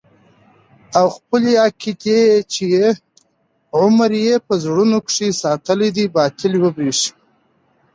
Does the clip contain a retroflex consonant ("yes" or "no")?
yes